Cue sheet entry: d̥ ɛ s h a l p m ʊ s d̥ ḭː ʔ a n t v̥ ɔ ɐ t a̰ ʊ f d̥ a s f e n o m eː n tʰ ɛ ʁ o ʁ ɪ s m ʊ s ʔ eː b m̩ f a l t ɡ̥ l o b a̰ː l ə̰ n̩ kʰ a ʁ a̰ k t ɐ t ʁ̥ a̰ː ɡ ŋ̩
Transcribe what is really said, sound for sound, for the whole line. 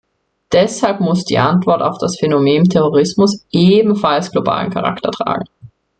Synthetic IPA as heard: d̥ ɛ s h a l p m ʊ s d̥ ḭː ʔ a n t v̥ ɔ ɐ t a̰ ʊ f d̥ a s f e n o m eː n tʰ ɛ ʁ o ʁ ɪ s m ʊ s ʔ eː b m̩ f a l s ɡ̥ l o b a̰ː l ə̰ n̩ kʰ a ʁ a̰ k t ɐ t ʁ̥ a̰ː ɡ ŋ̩